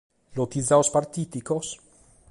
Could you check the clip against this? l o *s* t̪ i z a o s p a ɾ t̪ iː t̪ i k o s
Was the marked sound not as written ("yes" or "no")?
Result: yes